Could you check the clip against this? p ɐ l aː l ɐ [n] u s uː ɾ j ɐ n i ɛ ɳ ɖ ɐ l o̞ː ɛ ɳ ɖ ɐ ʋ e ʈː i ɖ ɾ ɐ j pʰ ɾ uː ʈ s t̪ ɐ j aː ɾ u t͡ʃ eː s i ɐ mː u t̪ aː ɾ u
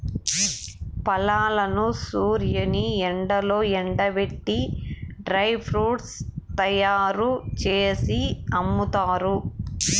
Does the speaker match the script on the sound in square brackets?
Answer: yes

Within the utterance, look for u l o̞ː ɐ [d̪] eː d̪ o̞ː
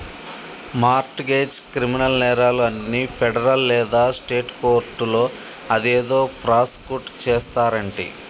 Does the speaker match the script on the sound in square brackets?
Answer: yes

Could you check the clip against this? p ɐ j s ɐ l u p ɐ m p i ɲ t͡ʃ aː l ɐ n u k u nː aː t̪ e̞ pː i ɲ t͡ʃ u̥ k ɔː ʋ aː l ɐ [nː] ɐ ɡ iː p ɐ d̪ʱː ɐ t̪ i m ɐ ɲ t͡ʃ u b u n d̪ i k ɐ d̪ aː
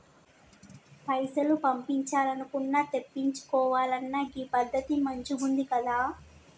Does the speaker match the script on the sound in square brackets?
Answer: yes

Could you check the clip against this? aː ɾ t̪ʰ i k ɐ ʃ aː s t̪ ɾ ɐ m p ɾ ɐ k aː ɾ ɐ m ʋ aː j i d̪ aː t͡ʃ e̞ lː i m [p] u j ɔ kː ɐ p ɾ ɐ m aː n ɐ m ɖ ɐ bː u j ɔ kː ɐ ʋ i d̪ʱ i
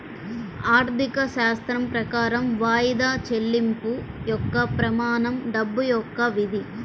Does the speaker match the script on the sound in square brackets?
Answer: yes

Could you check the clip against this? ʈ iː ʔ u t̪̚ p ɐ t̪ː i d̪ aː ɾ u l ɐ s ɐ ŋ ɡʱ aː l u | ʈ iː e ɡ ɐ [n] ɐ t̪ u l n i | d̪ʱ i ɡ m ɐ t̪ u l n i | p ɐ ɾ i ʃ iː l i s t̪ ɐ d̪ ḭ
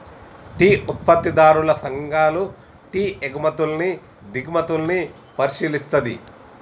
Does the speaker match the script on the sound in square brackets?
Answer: no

